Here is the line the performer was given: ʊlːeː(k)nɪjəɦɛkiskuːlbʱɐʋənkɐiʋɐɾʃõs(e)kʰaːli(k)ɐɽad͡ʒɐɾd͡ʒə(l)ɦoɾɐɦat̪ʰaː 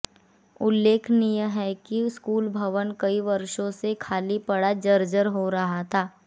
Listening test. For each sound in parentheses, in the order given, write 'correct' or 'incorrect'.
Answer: incorrect: kʰ, correct, incorrect: p, incorrect: ɾ

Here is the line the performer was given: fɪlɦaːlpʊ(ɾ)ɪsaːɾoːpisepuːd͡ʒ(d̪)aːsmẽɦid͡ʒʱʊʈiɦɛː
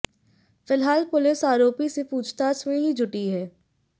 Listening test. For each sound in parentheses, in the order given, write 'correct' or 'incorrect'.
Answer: incorrect: l, incorrect: t̪

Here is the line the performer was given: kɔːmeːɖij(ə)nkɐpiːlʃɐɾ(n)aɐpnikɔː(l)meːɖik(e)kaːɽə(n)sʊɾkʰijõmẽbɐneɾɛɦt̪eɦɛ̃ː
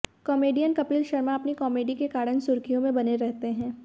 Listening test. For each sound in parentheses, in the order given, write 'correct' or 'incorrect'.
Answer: correct, incorrect: m, incorrect: none, correct, correct

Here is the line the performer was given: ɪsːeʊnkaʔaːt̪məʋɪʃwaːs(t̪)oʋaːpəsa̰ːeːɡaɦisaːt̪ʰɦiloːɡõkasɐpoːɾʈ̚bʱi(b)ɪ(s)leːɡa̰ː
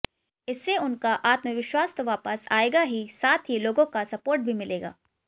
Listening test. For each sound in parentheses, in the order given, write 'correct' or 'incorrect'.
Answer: correct, incorrect: m, incorrect: none

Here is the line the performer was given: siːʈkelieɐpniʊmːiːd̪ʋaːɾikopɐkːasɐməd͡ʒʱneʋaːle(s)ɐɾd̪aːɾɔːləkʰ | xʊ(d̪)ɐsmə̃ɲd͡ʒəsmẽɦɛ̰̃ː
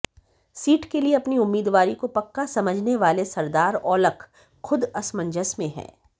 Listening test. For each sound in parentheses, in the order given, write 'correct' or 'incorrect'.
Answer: correct, correct

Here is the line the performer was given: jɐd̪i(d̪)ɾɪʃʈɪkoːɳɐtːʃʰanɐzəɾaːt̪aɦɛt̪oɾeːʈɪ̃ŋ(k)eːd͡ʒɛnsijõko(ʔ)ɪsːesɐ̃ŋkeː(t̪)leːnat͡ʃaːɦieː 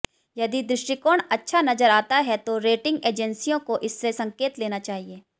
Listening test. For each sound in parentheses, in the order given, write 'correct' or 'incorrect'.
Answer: correct, incorrect: ɡ, correct, correct

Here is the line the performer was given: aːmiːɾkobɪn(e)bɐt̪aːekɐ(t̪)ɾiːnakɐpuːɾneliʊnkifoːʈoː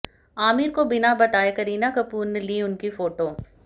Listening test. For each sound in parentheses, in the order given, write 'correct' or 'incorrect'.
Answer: incorrect: a, incorrect: none

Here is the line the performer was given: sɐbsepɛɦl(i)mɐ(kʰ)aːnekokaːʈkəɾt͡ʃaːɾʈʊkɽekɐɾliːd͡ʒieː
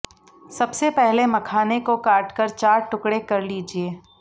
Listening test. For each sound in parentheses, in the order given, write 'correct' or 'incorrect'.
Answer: incorrect: e, correct

